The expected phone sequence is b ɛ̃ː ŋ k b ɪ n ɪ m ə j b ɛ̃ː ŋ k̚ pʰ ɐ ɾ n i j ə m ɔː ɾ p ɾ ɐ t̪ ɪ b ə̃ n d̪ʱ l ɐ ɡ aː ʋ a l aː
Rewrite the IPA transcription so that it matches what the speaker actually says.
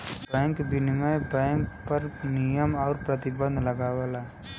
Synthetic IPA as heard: b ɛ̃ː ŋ k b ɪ n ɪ m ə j b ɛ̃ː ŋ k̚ p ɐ ɾ n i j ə m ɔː ɾ p ɾ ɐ t̪ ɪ b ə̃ n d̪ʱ l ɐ ɡ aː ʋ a l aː